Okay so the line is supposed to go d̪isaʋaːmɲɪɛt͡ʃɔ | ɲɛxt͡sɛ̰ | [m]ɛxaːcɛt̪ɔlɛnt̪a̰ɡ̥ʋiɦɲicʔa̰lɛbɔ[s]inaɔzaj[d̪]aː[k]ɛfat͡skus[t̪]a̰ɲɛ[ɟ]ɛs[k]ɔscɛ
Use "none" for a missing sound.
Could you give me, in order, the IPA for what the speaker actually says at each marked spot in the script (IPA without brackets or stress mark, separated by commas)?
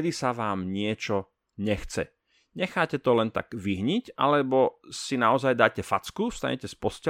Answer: ɲ, s, d̪, c, t̪, c, p